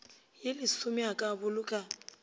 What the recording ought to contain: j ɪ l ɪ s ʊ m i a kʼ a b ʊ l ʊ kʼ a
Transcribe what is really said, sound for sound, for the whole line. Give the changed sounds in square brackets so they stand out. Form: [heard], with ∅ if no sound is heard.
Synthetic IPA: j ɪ l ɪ s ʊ m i a kʼ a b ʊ l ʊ kʼ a